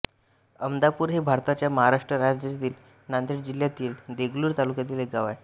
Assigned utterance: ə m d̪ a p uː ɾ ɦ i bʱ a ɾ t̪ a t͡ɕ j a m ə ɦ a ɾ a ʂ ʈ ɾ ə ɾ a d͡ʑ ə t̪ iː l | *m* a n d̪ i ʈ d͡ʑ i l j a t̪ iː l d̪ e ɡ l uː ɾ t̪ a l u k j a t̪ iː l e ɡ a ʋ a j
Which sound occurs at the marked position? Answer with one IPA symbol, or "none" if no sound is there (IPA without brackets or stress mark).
n